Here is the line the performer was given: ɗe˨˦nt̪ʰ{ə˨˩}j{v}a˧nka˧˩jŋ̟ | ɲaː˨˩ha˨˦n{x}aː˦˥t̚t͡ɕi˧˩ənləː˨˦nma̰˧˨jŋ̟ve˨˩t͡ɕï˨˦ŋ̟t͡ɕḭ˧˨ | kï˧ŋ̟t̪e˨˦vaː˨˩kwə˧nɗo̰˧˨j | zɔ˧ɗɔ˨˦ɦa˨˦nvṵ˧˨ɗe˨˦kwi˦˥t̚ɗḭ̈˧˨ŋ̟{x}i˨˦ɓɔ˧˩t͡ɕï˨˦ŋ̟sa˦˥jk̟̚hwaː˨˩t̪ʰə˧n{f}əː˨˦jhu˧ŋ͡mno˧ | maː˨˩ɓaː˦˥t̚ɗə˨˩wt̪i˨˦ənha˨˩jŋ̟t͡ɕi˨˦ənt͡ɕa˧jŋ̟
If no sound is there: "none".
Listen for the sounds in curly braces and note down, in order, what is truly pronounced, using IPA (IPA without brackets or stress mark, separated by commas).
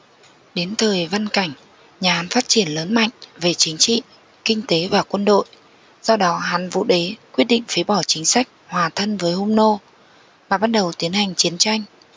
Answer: əː˨˩, v, f, f, v